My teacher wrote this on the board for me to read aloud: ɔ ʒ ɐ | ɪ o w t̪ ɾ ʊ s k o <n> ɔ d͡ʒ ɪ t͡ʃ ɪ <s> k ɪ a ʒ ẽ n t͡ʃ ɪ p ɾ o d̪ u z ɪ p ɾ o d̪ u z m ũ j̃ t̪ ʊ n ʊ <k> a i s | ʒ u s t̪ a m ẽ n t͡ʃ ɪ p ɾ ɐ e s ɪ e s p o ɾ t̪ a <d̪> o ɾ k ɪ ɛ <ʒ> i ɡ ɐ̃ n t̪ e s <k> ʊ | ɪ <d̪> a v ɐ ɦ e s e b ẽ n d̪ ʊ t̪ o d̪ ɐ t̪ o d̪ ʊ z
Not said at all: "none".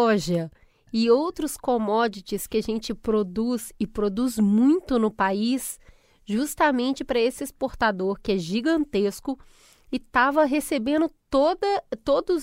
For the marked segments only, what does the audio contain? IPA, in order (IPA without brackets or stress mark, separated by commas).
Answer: m, s, p, d̪, ʒ, k, t̪